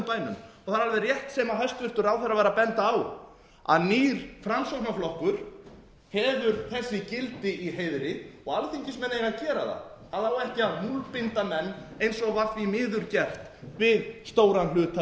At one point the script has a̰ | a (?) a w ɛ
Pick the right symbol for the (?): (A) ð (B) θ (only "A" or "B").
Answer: A